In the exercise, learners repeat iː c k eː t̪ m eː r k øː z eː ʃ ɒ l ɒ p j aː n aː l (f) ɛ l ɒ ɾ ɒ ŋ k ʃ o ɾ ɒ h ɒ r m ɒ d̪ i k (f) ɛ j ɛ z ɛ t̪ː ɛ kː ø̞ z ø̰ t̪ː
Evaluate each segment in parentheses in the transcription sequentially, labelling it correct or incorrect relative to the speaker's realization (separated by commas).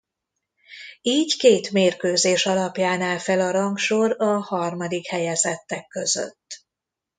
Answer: correct, incorrect